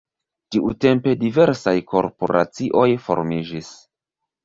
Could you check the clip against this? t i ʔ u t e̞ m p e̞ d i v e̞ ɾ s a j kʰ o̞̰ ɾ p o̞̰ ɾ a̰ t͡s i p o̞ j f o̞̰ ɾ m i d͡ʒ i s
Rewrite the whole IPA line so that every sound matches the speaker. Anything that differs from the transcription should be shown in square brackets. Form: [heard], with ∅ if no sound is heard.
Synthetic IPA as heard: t i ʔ u t e̞ m p e̞ d i v e̞ ɾ s a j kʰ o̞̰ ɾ p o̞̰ ɾ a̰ t͡s i [ʔ] o̞ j f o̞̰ ɾ m i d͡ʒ i s

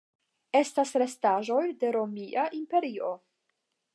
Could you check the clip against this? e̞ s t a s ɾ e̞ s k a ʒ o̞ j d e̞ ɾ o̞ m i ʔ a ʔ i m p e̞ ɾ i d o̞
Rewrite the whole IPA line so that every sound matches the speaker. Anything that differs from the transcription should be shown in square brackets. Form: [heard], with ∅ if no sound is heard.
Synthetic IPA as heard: e̞ s t a s ɾ e̞ s [t] a ʒ o̞ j d e̞ ɾ o̞ m i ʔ a ʔ i m p e̞ ɾ i [∅] o̞

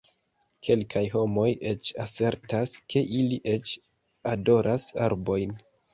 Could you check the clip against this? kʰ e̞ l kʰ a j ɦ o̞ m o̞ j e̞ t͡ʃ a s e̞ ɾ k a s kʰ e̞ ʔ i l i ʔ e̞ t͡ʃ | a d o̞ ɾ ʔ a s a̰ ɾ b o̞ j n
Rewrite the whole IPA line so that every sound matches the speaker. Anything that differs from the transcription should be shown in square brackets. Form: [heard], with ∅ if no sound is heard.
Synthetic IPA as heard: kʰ e̞ l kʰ a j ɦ o̞ m o̞ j e̞ t͡ʃ a s e̞ ɾ [t] a s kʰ e̞ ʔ i l i ʔ e̞ t͡ʃ | a d o̞ ɾ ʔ a s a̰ ɾ b o̞ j n

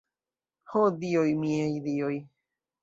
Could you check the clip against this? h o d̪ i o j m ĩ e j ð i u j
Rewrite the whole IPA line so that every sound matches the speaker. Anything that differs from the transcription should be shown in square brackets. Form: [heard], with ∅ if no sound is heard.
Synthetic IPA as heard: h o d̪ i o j m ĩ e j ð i [o] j

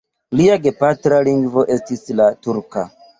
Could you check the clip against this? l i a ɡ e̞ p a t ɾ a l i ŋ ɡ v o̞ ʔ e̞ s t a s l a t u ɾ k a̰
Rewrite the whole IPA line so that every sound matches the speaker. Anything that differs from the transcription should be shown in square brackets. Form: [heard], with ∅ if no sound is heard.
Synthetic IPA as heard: l i a ɡ e̞ p a t ɾ a l i ŋ ɡ v o̞ ʔ e̞ s t [i] s l a t u ɾ k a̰

